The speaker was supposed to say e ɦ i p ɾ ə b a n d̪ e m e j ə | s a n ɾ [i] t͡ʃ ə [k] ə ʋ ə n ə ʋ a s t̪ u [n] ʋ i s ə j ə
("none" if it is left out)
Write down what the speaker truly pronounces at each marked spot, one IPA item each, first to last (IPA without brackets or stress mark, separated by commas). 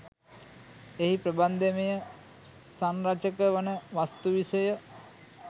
a, k, none